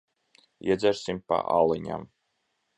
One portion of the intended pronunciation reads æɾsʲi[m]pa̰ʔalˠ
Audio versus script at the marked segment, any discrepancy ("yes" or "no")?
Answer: no